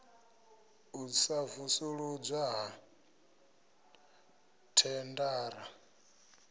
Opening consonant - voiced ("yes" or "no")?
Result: no